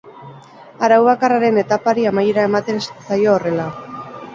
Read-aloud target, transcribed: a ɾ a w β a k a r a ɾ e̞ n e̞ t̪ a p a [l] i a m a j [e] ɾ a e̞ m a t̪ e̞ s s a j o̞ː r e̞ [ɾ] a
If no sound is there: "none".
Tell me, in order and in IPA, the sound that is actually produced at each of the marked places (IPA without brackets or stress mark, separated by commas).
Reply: ɾ, e, l